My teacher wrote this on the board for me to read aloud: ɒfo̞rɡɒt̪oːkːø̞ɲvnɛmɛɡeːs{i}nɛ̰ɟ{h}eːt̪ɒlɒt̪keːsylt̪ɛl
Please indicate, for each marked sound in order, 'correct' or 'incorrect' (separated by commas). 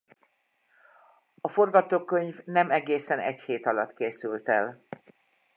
incorrect, correct